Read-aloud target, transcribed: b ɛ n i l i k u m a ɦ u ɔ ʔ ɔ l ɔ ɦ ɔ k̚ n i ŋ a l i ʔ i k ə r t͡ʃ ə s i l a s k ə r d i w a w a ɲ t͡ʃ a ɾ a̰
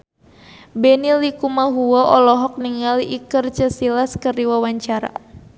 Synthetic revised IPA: b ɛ n i l i k u m a ɦ u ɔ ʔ ɔ l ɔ ɦ ɔ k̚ n i ŋ a l i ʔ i k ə r t͡ʃ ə s i l a s k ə r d i w a w a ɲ t͡ʃ a ɾ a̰